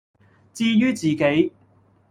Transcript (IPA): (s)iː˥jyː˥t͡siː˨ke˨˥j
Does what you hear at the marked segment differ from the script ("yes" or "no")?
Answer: yes